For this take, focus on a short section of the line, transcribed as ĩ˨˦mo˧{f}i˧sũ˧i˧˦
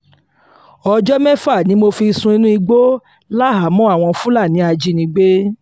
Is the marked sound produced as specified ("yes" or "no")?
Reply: yes